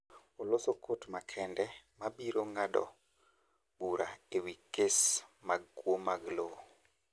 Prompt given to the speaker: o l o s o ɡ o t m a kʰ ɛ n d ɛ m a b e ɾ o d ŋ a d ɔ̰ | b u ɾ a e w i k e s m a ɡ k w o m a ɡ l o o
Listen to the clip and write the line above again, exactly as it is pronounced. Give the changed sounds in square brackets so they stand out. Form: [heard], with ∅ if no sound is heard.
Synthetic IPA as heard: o l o s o [k] o t m a kʰ ɛ n d ɛ m a b [i] ɾ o [∅] ŋ a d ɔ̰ | b u ɾ a e w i k e s m a ɡ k w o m a ɡ l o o